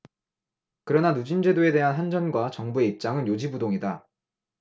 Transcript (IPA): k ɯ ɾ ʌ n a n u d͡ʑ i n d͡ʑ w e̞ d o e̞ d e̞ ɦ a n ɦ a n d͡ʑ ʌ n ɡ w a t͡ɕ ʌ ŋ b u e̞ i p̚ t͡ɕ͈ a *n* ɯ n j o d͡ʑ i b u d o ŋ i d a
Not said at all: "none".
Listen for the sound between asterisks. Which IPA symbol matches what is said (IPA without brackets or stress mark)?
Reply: ŋ